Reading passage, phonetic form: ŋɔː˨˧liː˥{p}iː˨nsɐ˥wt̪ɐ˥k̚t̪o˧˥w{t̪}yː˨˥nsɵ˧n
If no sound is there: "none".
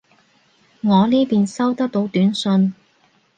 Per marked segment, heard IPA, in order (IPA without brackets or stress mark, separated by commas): p, t̪